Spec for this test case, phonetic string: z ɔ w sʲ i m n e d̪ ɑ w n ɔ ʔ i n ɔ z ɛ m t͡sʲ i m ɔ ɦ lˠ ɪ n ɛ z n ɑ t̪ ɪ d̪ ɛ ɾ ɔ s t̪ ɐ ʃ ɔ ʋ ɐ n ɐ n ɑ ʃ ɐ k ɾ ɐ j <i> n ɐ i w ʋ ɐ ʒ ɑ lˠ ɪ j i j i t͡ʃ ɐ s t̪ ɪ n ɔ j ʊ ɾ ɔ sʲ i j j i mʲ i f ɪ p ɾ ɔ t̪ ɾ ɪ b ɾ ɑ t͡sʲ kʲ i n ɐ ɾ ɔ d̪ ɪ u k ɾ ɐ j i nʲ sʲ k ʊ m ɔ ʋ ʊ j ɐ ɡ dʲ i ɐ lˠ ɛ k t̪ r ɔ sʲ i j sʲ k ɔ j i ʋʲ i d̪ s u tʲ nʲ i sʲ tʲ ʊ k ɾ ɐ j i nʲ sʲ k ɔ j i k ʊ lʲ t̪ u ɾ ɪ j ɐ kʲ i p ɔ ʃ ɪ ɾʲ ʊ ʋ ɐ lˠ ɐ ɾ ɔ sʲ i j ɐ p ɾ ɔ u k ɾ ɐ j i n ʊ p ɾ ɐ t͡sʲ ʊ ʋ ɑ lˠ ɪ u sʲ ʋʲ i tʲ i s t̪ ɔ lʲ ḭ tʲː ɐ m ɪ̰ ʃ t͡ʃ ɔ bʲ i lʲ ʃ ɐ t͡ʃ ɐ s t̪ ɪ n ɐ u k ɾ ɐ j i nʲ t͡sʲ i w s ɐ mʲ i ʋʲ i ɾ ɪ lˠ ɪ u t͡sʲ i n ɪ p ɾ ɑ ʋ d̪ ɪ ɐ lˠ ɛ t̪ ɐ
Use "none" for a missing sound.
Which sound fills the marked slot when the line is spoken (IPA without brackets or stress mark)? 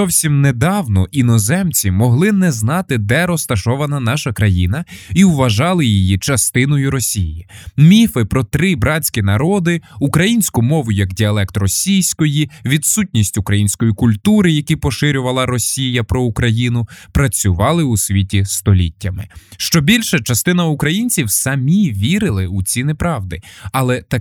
i